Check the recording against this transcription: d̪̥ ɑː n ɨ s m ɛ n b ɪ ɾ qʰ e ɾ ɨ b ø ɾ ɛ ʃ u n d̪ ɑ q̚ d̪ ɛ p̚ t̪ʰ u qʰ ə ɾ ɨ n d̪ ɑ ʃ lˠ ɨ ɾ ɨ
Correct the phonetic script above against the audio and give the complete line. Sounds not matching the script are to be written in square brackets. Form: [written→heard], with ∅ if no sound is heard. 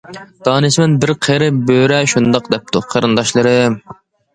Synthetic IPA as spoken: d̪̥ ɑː n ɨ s m ɛ n b ɪ ɾ qʰ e ɾ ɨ b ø ɾ ɛ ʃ u n d̪ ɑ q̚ d̪ ɛ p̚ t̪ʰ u qʰ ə ɾ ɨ n d̪ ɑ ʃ lˠ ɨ ɾ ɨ